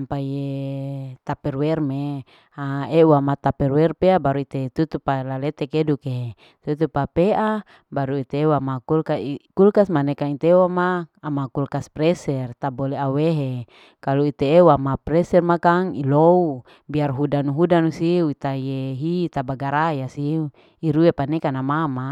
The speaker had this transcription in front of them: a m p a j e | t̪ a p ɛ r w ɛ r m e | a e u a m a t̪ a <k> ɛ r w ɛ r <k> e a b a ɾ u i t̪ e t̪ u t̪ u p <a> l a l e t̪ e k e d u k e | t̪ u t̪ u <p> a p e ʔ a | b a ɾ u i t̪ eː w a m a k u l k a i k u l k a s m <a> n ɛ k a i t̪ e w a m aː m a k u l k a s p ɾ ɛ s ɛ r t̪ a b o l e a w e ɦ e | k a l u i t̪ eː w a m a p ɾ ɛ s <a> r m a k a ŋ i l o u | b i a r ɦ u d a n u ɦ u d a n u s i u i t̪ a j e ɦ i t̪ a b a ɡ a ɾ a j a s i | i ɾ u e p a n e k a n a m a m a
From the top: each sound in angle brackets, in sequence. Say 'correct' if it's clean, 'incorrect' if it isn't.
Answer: incorrect: p, incorrect: p, correct, correct, correct, incorrect: ɛ

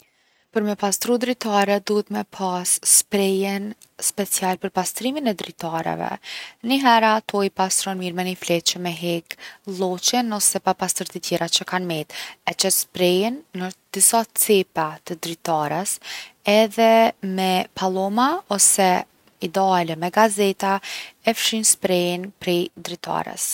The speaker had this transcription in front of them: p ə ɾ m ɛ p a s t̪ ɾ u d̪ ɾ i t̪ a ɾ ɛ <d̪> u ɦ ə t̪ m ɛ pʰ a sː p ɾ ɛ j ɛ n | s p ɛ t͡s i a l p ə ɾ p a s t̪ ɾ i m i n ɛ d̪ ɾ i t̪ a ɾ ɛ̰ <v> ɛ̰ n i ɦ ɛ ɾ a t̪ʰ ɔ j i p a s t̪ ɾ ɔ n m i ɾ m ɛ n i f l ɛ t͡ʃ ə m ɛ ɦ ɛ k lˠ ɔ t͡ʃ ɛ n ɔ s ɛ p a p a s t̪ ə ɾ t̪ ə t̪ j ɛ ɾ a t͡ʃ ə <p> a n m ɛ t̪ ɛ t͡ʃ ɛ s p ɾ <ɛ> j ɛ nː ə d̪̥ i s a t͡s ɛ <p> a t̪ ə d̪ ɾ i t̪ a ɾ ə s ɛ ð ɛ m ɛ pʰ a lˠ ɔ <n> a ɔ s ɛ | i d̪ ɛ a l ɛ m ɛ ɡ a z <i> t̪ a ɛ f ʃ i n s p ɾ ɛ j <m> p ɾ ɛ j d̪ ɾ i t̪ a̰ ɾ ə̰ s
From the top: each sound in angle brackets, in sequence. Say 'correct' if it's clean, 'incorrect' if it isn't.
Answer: correct, correct, incorrect: k, correct, correct, incorrect: m, incorrect: ɛ, incorrect: n

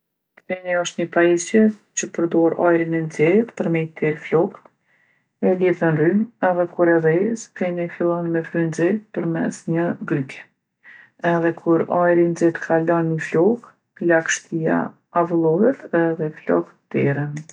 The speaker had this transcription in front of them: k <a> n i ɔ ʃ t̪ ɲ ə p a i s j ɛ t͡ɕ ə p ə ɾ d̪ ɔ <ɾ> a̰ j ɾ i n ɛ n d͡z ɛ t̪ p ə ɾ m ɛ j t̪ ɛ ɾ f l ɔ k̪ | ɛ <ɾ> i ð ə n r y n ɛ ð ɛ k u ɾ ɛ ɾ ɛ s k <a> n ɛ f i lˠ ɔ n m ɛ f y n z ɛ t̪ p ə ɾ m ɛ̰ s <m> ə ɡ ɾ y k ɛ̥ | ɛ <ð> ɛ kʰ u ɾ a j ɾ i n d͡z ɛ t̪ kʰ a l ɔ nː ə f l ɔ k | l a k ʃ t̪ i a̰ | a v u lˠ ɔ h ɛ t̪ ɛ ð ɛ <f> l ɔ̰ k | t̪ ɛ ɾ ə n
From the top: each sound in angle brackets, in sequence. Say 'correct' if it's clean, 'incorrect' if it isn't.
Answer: incorrect: ɛ, correct, incorrect: l, incorrect: ɛ, incorrect: ɲ, correct, correct

